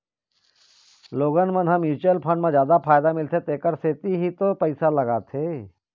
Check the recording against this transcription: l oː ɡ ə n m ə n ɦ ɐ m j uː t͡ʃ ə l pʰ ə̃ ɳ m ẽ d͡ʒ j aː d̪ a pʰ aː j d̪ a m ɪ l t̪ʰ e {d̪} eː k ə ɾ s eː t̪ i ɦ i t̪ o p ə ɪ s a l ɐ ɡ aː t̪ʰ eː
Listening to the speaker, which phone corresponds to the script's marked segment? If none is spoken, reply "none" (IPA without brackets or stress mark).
t̪